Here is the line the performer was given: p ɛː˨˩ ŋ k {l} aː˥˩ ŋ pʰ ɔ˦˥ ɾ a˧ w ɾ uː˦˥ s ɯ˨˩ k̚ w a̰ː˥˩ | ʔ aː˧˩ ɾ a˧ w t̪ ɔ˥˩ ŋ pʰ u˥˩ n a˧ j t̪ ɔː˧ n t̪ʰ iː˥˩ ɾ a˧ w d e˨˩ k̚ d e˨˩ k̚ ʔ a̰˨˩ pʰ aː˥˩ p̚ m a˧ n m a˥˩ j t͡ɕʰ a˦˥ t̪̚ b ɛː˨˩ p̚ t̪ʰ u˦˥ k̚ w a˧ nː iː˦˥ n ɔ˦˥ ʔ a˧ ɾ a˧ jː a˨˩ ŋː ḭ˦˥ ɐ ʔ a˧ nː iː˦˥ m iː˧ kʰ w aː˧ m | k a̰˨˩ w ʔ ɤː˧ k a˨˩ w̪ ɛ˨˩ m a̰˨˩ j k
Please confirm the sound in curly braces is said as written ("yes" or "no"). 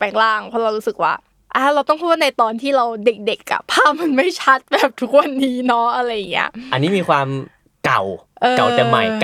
yes